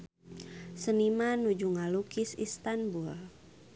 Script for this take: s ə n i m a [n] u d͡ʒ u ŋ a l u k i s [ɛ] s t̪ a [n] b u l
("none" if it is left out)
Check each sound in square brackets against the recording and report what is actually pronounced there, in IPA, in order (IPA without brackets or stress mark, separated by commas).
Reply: n, i, n